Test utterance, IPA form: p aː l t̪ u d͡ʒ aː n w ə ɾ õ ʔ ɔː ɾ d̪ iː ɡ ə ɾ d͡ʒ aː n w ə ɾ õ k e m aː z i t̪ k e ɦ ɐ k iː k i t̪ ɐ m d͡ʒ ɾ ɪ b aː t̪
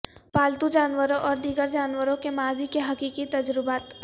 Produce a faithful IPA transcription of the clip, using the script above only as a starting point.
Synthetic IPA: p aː l t̪ u d͡ʒ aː n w ə ɾ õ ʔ ɔː ɾ d̪ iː ɡ ə ɾ d͡ʒ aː n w ə ɾ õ k e m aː z i k e ɦ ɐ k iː k i t̪ ɐ d͡ʒ ɾ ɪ b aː t̪